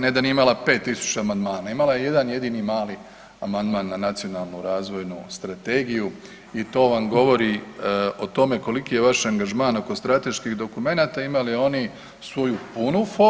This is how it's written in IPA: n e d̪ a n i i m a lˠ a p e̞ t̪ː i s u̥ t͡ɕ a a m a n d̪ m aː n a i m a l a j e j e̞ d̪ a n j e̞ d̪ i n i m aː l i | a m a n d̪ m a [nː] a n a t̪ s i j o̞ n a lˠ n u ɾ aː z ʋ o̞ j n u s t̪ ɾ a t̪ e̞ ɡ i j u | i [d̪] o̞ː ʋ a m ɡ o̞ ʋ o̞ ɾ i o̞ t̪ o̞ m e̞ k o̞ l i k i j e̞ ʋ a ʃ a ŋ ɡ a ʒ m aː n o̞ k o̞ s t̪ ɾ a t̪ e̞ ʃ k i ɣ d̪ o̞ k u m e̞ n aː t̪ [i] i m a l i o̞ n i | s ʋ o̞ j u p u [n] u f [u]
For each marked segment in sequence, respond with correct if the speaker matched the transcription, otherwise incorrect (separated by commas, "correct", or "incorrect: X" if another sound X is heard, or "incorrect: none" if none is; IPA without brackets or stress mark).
correct, incorrect: t̪, incorrect: a, correct, incorrect: o